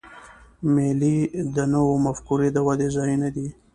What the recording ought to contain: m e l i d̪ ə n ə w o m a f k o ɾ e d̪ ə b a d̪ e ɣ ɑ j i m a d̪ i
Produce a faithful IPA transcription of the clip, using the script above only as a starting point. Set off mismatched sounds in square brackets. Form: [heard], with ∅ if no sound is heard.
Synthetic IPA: m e l i d̪ ə n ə w o m a f k [u] ɾ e d̪ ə [w] a d̪ e [z] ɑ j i [n] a d̪ i

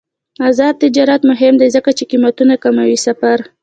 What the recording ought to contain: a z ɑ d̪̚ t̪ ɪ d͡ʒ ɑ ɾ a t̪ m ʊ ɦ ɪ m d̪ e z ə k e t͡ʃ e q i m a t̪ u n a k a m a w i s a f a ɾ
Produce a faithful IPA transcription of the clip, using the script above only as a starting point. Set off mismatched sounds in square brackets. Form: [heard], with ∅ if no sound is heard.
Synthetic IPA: a z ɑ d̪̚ t̪ ɪ d͡ʒ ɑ ɾ a t̪ m ʊ ɦ ɪ m d̪ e z ə k [a] t͡ʃ e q i m a t̪ u n a k a m a w i s a f a ɾ

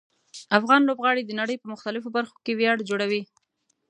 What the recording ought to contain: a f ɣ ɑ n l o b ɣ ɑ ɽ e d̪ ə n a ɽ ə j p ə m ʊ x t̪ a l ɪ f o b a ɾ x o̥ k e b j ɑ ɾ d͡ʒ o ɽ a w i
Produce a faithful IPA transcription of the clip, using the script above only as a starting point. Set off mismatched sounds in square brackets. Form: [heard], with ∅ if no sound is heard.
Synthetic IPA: a f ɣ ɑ n l o b ɣ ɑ ɽ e d̪ ə n a ɽ ə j p ə m ʊ x t̪ a l ɪ f o b a ɾ x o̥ k e [w] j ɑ [ɽ] d͡ʒ o ɽ a w i

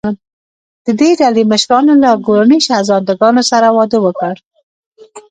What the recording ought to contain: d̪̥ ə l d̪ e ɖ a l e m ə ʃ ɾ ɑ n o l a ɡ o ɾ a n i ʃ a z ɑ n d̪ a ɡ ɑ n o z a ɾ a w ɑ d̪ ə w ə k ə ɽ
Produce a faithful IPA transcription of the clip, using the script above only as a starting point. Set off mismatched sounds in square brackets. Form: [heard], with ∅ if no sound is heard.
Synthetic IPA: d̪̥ ə [∅] d̪ e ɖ a l e m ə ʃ ɾ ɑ n o l a ɡ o ɾ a n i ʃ a z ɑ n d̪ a ɡ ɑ n o [s] a ɾ a w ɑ d̪ ə w ə k ə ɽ

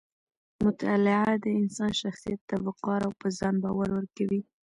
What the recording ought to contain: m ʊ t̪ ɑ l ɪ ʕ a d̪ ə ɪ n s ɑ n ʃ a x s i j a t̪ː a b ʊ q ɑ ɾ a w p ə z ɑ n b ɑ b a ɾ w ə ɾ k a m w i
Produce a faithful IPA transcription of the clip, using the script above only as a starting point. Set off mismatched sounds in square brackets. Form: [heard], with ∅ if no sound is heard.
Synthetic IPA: m ʊ t̪ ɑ l ɪ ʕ a d̪ ə ɪ n s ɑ n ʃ a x s i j a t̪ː a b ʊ q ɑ ɾ a w p ə z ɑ n b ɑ [w] a ɾ w ə ɾ k a [∅] w i

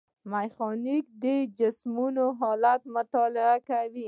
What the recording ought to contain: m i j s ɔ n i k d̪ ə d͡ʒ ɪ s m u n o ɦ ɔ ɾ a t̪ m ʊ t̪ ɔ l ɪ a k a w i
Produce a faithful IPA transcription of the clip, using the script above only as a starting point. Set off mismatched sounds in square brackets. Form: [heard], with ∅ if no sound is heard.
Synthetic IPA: m [a] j [x] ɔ n i k d̪ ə d͡ʒ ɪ s m u n o ɦ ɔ [l] a t̪ m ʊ t̪ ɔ l ɪ a k a w i

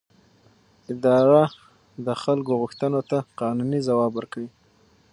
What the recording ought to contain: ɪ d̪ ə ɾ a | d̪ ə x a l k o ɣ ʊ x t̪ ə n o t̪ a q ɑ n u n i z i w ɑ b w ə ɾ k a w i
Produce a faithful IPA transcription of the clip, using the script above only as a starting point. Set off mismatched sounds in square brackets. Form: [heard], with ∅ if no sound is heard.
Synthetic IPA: ɪ d̪ [ɑ] ɾ a | d̪ ə x a l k o ɣ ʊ x t̪ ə n o t̪ a q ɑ n u n i z [a] w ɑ b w ə ɾ k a w i

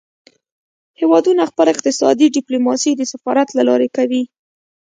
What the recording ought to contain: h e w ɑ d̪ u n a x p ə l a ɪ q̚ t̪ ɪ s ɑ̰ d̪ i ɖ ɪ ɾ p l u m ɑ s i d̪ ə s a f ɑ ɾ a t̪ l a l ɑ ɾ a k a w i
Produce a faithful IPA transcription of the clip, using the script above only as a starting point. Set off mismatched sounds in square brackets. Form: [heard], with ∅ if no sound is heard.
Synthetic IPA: h e w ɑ d̪ u n a x p ə l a ɪ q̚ t̪ ɪ s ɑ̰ d̪ i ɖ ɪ [∅] p l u m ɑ s i d̪ ə s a f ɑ ɾ a t̪ l a l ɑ ɾ [e] k a w i

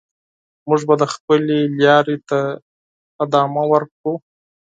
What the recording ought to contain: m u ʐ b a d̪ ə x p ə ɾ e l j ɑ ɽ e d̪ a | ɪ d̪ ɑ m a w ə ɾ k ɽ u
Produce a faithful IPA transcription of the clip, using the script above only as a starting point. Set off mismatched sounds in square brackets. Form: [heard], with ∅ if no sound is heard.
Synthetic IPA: m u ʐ b a d̪ ə x p ə [l] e l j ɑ [ɾ] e [t̪] a | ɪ d̪ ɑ m a w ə ɾ k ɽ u

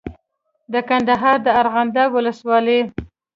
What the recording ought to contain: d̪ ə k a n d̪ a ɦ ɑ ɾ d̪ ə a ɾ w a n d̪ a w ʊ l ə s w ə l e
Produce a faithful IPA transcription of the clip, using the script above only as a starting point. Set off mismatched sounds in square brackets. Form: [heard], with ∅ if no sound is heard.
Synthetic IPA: d̪ ə k a n d̪ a ɦ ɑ ɾ d̪ ə a ɾ [ɣ] a n d̪ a w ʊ l ə s w [ɑ] l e

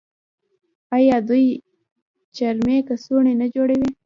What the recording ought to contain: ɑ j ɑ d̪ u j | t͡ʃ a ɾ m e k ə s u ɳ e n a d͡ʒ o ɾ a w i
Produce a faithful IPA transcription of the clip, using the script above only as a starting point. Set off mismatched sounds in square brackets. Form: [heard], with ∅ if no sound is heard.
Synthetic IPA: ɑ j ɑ d̪ u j | t͡ʃ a ɾ m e k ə s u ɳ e n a d͡ʒ o [ɽ] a w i

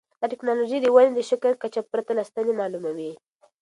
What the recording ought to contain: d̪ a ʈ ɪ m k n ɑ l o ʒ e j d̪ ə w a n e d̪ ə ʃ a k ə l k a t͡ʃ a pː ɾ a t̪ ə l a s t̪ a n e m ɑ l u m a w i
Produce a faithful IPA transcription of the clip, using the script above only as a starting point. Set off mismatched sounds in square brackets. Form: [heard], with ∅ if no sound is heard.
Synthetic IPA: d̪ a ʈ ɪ [∅] k n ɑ l o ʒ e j d̪ ə w a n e d̪ ə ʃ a k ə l k a t͡ʃ a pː ɾ a t̪ [a] l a s t̪ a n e m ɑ l u m a w i

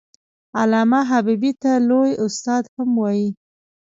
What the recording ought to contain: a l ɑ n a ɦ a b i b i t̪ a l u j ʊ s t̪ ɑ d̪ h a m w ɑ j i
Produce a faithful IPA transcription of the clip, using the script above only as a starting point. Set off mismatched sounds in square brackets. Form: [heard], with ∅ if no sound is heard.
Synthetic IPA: a l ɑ [m] a ɦ a b i b i t̪ a l [o] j ʊ s t̪ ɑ d̪ h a m w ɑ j i

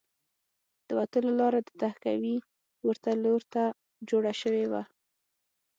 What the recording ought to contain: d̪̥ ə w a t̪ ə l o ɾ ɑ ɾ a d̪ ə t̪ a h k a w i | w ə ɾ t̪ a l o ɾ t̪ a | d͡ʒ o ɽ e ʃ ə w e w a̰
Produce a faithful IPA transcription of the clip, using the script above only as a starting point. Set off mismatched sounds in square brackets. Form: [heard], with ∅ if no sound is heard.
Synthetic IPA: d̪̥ ə w a t̪ ə l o [l] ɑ ɾ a d̪ ə t̪ a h k a w i | w ə ɾ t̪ a l o ɾ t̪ a | d͡ʒ o ɽ [a] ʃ ə w e w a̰

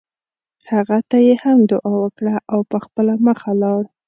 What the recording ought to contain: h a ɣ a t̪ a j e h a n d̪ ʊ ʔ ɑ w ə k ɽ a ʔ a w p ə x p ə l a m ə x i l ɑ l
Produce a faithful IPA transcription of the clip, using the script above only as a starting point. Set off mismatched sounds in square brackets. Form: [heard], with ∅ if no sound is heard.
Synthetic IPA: h a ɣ a t̪ a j e h a [m] d̪ ʊ ʔ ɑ w ə k ɽ a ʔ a w p ə x p ə l a m ə x [a] l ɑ [ɽ]

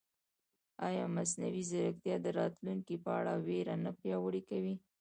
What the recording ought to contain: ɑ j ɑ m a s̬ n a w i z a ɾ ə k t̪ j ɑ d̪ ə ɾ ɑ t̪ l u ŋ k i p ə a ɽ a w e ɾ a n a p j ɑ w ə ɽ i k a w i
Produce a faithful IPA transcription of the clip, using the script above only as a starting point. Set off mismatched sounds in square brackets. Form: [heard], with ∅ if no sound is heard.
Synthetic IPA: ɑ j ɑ m a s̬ n a w i z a ɾ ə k t̪ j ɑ d̪ ə ɾ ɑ t̪ l u ŋ k i p ə a ɽ a w e ɾ a n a p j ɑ w ə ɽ i k a w i

